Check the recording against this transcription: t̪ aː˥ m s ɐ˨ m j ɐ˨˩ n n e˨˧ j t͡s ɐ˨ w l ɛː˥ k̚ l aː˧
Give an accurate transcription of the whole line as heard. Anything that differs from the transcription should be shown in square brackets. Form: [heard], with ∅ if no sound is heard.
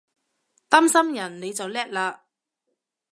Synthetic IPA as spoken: t̪ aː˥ m s [ɐ˥] m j ɐ˨˩ n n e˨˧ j t͡s ɐ˨ w l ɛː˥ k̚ l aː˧